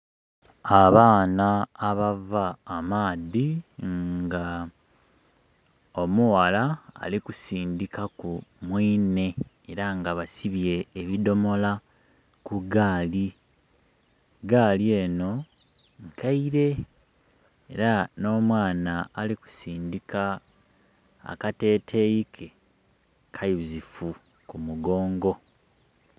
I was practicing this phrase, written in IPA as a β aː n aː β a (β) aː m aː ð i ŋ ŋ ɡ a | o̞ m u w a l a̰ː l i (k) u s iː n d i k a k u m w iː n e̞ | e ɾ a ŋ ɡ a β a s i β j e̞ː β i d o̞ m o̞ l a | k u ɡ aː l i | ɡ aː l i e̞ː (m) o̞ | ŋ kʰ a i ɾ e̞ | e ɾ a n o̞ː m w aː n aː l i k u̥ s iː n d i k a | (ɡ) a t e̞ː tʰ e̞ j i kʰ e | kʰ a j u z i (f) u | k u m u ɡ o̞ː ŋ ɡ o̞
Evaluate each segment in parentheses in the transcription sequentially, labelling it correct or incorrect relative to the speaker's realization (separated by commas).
incorrect, correct, incorrect, incorrect, correct